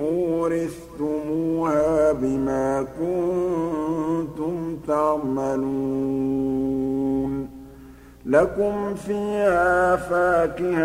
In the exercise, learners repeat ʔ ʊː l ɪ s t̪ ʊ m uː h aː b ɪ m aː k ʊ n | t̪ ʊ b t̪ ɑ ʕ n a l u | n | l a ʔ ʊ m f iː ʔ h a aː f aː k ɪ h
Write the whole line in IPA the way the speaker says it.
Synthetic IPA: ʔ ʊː ɾ ɪ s t̪ ʊ m uː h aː b ɪ m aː k ʊ n | t̪ ʊ m t̪ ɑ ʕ m a l u | n | l a k ʊ m f iː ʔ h a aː f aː k ɪ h